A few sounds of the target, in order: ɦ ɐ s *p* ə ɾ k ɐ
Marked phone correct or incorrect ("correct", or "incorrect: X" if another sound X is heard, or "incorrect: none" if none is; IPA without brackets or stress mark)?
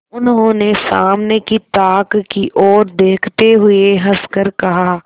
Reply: incorrect: k